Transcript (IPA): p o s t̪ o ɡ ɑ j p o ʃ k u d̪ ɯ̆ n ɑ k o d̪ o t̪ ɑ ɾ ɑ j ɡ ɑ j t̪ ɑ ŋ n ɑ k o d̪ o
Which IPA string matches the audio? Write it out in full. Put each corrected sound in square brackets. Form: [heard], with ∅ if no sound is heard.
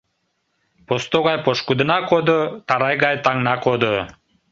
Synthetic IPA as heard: p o s t̪ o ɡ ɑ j p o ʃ k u d̪ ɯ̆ n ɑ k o d̪ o t̪ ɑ ɾ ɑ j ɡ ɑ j t̪ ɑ ŋ n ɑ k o d̪ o